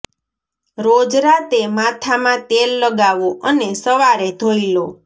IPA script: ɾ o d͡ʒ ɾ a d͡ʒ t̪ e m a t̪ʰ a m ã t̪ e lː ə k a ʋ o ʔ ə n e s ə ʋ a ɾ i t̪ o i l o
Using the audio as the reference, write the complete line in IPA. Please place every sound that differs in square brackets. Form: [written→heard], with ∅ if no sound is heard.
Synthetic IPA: ɾ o d͡ʒ ɾ a [d͡ʒ→∅] t̪ e m a t̪ʰ a m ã t̪ e lː ə [k→ɡ] a ʋ o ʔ ə n e s ə ʋ a ɾ [i→e] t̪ o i l o